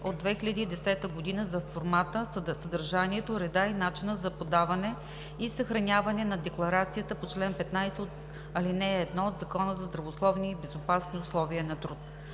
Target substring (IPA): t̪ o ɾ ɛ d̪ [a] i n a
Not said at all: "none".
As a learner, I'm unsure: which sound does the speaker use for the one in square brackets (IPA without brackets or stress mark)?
a